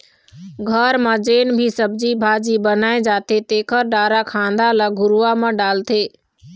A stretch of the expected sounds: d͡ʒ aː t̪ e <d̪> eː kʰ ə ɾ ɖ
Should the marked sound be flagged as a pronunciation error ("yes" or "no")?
yes